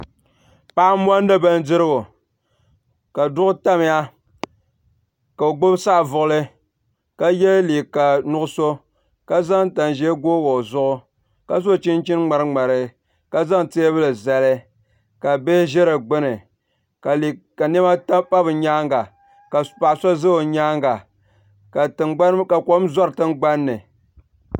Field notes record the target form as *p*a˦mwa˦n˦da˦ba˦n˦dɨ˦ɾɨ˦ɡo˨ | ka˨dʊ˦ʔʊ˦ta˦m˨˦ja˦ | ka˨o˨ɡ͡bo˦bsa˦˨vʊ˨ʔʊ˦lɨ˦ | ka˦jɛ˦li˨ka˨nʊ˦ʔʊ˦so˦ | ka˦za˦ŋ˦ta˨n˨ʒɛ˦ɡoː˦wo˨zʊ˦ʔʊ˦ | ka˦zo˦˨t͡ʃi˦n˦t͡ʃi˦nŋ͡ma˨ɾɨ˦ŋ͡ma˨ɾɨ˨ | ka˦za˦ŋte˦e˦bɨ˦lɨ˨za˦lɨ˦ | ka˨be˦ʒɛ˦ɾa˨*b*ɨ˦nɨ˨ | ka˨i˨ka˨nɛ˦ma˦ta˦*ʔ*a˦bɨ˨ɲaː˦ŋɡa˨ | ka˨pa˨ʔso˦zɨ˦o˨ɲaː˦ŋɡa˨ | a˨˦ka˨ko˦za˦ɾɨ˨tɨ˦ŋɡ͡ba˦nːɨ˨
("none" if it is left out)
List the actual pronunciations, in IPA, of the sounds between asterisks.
p, ɡ͡b, p

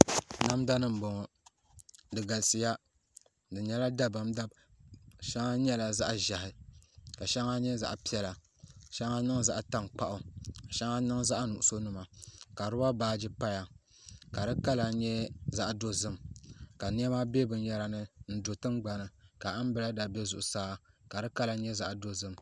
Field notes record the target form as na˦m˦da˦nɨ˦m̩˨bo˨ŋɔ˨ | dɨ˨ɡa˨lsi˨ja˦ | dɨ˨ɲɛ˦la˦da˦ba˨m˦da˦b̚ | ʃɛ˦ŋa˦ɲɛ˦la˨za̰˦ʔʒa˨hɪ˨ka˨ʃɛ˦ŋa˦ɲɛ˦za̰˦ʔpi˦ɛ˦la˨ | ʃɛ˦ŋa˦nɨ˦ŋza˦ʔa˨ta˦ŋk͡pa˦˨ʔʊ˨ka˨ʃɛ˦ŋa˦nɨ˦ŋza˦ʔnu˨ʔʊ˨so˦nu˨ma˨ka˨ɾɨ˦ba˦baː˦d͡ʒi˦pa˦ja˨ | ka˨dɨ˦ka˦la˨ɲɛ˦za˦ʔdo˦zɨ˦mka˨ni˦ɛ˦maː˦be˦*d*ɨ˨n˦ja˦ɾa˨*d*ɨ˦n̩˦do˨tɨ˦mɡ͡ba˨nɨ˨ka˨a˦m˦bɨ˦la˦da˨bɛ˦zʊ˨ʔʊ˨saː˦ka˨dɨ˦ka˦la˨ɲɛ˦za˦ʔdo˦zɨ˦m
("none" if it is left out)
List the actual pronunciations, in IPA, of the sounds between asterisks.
b, n

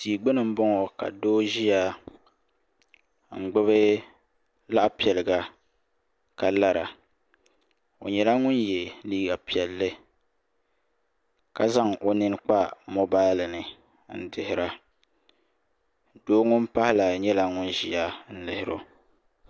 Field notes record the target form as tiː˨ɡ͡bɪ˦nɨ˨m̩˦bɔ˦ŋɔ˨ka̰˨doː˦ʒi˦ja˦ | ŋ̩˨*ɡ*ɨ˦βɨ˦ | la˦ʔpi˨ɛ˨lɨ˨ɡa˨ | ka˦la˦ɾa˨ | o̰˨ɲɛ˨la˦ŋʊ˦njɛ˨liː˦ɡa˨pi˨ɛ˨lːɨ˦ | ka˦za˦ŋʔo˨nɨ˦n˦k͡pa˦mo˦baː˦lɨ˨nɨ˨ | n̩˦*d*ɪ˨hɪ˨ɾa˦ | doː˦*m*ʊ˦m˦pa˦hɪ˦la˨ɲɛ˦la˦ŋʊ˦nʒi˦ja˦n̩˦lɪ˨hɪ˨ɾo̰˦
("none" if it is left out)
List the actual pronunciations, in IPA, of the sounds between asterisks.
ɡ͡b, d, ŋ

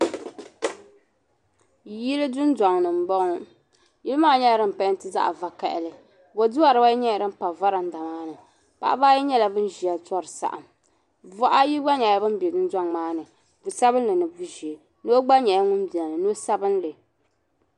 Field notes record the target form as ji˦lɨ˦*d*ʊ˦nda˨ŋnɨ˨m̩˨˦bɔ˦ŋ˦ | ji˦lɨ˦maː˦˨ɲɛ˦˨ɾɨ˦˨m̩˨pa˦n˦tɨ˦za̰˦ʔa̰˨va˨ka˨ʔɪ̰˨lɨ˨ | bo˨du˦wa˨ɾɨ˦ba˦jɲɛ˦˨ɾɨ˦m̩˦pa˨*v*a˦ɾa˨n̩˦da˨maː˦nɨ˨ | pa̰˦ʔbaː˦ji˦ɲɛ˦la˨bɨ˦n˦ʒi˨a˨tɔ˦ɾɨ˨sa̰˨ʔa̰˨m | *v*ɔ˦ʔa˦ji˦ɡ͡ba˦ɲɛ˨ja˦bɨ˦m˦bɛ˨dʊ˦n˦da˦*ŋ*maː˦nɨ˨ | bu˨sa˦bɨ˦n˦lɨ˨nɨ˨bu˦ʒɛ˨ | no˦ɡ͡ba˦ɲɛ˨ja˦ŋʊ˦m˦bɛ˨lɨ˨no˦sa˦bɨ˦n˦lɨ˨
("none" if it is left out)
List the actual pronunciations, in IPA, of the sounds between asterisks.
d, v, v, ŋ

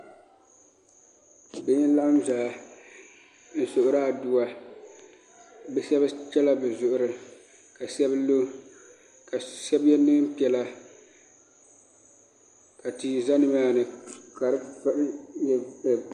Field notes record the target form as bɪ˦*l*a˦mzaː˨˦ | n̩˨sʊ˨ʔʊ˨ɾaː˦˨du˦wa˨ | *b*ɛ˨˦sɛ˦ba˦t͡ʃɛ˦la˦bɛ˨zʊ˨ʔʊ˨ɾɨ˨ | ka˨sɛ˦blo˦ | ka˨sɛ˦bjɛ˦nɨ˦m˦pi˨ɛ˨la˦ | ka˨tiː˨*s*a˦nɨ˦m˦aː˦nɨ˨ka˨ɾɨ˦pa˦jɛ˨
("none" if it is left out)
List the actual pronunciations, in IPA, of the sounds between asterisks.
l, b, z

